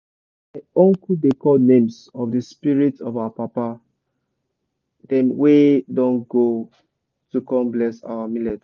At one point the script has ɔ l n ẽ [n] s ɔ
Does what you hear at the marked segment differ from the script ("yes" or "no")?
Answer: yes